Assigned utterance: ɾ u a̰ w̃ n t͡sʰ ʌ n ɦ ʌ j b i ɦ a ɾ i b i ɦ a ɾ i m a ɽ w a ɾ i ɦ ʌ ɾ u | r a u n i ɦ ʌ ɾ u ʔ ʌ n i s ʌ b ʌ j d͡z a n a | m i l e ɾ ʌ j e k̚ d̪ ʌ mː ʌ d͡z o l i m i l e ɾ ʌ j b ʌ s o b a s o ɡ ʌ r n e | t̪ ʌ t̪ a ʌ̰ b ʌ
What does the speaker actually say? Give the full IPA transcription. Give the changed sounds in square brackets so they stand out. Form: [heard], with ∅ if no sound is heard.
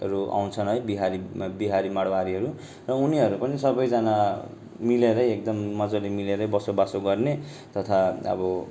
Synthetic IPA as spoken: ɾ u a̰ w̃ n t͡sʰ ʌ n ɦ ʌ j b i ɦ a ɾ i b i ɦ a ɾ i m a ɽ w a ɾ i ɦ ʌ ɾ u | r [ʌ] u n i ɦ ʌ ɾ u [p] ʌ n i s ʌ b ʌ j d͡z a n a | m i l e ɾ ʌ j e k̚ d̪ ʌ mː ʌ d͡z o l i m i l e ɾ ʌ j b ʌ s o b a s o ɡ ʌ r n e | t̪ ʌ [t̪ʰ] a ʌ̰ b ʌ